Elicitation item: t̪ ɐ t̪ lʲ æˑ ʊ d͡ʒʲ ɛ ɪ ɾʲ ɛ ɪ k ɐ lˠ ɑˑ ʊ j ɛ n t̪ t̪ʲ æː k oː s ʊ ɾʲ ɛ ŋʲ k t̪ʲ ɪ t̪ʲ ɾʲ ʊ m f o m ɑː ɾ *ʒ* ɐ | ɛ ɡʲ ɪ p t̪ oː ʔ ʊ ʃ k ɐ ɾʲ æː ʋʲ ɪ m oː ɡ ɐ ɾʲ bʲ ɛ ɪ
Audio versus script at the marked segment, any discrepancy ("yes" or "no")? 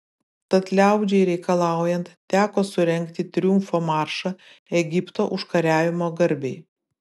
yes